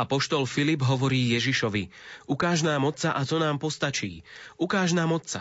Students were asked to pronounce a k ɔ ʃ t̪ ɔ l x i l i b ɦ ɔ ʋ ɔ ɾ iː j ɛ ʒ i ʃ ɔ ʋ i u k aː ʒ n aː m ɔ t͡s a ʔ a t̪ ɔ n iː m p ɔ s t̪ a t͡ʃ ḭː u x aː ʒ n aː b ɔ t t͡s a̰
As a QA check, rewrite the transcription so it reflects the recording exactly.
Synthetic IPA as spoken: a p ɔ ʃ t̪ ɔ l f i l i b ɦ ɔ ʋ ɔ ɾ iː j ɛ ʒ i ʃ ɔ ʋ i u k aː ʒ n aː m ɔ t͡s a ʔ a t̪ ɔ n aː m p ɔ s t̪ a t͡ʃ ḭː u k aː ʒ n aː m ɔ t t͡s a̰